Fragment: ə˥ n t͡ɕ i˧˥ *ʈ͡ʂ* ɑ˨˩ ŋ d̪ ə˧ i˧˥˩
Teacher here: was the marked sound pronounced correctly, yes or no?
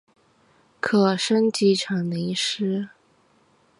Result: no